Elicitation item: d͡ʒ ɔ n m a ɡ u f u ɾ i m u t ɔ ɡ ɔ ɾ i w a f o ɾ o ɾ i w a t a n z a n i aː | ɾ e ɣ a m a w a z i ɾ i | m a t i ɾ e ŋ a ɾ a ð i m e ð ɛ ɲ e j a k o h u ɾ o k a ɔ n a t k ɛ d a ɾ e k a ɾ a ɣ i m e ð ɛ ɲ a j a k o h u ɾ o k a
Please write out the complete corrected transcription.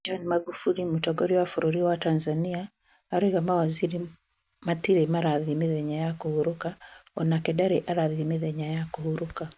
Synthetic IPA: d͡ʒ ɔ n m a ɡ u f u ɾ i m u t ɔ ɡ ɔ ɾ i w a f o ɾ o ɾ i w a t a n z a n i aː | ɾ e ɣ a m a w a z i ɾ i | m a t i ɾ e m a ɾ a ð i m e ð ɛ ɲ a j a k o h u ɾ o k a ɔ n a k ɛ d a ɾ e ʔ a ɾ a ð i m e ð ɛ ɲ a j a k o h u ɾ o k a